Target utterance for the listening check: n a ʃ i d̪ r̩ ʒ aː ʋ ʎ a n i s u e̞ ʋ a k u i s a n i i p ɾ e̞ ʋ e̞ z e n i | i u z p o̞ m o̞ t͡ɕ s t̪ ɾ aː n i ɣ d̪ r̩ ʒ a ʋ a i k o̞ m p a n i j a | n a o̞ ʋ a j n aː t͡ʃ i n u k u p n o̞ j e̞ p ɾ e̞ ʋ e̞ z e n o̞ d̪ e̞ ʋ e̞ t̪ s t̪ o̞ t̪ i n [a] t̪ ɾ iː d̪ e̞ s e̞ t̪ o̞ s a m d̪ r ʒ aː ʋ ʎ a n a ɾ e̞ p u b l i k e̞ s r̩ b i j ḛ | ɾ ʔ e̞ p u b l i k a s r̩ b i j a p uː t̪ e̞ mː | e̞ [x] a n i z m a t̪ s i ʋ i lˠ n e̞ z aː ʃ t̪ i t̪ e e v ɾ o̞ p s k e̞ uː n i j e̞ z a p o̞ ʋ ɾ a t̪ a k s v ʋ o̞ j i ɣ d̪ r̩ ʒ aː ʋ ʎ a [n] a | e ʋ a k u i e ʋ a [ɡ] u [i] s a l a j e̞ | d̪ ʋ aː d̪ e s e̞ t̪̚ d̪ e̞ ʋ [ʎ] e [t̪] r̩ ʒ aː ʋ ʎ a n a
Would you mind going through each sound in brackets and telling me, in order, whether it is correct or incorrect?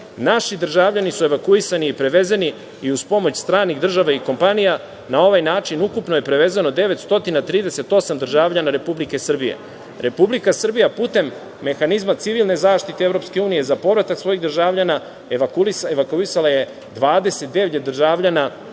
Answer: correct, correct, correct, incorrect: k, correct, correct, incorrect: d̪

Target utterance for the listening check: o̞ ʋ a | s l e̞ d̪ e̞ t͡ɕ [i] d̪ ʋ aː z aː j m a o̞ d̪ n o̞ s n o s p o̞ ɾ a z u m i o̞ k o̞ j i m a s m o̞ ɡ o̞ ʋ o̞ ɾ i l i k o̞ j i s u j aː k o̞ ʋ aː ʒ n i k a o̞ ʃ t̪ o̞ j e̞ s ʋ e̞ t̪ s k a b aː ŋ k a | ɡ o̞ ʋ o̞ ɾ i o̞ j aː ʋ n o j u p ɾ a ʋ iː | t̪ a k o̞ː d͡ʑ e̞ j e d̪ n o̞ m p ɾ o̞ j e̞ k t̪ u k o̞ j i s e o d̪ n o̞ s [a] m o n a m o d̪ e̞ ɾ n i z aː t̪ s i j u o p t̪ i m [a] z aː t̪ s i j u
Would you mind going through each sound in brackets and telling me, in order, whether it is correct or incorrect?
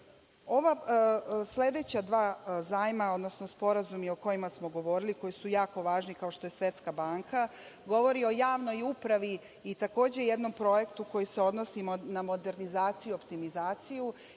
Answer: incorrect: a, incorrect: i, incorrect: i

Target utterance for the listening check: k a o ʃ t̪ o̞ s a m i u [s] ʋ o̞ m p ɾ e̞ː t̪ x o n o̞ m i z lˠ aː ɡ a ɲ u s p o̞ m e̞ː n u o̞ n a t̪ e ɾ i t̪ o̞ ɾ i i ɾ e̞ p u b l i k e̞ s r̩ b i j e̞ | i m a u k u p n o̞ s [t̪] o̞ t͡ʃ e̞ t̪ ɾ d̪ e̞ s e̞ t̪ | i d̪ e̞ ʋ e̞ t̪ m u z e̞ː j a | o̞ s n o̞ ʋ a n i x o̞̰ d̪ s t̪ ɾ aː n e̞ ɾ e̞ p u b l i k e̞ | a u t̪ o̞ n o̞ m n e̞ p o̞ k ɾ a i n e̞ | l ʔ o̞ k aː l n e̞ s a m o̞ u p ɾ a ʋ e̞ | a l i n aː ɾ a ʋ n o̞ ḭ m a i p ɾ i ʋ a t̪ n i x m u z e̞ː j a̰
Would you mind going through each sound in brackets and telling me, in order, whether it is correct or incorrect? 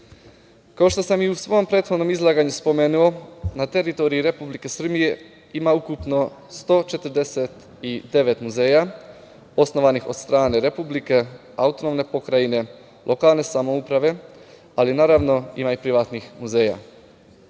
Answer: correct, correct

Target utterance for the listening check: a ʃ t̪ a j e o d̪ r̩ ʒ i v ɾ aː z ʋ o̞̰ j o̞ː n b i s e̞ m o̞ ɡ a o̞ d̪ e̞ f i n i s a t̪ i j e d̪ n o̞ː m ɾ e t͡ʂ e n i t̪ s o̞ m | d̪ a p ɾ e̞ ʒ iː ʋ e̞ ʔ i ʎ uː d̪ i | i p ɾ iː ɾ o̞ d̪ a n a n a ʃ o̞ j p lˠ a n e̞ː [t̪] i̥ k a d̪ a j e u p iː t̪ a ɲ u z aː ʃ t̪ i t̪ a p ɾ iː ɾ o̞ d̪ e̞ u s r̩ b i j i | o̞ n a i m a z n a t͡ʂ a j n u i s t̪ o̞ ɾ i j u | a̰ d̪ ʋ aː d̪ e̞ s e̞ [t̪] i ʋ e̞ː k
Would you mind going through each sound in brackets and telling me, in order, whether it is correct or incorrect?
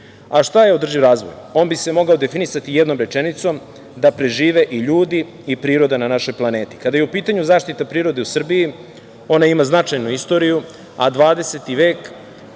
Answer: correct, correct

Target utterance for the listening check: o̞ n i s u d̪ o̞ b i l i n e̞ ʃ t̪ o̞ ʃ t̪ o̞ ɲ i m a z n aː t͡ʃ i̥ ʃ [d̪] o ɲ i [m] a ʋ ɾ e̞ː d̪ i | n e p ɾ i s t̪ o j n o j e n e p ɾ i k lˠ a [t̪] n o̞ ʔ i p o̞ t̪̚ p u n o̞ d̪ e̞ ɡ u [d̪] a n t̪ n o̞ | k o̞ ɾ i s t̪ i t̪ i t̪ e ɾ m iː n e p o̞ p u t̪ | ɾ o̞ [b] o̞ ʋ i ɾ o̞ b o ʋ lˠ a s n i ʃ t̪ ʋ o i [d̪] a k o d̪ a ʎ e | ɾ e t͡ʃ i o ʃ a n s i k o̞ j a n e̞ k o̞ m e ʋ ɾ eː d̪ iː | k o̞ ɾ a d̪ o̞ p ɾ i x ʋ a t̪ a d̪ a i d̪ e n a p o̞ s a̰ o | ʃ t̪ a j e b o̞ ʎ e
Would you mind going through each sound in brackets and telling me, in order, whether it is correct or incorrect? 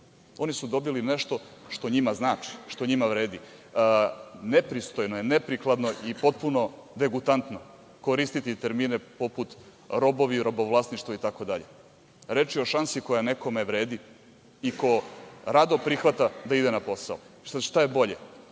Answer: incorrect: t̪, correct, incorrect: d̪, incorrect: t̪, correct, incorrect: t̪

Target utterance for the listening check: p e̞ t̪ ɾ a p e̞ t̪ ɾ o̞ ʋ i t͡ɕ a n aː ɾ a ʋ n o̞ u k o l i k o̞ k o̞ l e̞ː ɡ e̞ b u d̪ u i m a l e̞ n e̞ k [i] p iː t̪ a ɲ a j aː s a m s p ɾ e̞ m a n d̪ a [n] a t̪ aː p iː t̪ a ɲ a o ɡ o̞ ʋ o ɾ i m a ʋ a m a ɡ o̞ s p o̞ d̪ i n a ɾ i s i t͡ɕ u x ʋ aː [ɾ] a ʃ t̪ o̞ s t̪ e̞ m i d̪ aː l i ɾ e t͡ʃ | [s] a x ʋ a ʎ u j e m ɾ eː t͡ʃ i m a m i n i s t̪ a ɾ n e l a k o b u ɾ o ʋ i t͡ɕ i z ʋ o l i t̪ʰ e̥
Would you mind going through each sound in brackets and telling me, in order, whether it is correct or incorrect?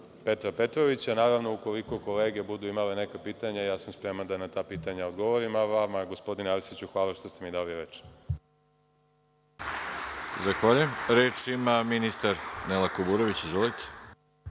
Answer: incorrect: a, correct, incorrect: l, incorrect: z

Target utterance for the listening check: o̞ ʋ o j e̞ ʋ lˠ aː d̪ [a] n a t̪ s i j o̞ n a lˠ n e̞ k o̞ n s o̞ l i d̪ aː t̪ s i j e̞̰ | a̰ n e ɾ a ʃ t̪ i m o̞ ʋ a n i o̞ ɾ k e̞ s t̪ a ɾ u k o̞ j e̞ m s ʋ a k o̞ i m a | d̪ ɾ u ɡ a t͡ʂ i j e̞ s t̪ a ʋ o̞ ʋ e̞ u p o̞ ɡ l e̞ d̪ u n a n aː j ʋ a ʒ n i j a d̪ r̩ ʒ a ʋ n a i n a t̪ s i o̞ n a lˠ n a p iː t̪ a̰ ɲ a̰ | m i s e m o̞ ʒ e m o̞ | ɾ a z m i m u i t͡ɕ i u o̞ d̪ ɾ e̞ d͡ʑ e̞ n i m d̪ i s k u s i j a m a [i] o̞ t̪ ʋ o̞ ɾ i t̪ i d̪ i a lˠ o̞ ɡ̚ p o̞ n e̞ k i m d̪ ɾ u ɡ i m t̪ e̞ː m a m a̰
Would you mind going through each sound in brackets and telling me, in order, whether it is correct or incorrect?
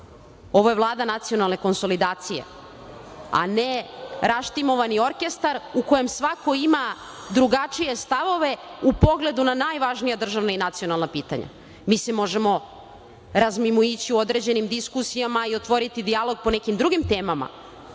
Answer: correct, correct

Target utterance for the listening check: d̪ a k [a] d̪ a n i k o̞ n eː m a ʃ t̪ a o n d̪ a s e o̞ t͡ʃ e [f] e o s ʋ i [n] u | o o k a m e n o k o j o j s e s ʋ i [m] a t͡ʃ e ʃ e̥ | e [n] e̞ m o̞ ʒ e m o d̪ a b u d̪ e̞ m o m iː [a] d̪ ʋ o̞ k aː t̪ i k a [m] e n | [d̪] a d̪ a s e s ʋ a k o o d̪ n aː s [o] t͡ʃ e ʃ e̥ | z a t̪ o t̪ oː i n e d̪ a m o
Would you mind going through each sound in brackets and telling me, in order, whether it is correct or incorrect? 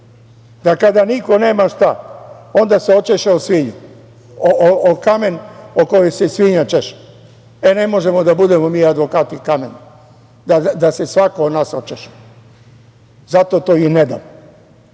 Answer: correct, incorrect: ʃ, incorrect: ɲ, incorrect: ɲ, correct, correct, correct, correct, correct

